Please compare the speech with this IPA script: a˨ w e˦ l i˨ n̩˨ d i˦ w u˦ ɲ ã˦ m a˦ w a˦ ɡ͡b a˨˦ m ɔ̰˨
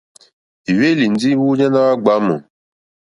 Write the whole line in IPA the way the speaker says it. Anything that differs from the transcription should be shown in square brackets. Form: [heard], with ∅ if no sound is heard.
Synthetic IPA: [i˨] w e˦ l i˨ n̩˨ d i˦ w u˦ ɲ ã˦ [n] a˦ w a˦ ɡ͡b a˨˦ m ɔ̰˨